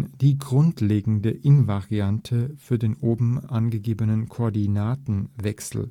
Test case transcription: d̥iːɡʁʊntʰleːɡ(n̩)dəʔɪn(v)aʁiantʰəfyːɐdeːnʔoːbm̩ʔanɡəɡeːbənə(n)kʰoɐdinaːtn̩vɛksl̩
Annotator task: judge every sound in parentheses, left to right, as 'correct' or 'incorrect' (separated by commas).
incorrect, correct, correct